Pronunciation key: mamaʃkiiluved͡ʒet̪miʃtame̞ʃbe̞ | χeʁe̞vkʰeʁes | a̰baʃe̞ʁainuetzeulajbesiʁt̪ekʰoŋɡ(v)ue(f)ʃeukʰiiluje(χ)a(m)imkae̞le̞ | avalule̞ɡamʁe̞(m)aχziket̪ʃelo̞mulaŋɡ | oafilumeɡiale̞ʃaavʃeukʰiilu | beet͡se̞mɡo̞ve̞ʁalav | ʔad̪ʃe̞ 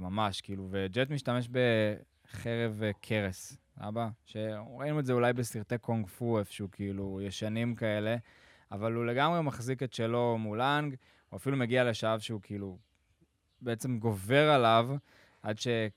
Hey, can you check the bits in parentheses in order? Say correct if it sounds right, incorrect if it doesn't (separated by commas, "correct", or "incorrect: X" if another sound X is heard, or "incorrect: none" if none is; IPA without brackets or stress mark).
incorrect: f, correct, incorrect: ʃ, incorrect: n, correct